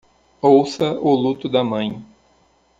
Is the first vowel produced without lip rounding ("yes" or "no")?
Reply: no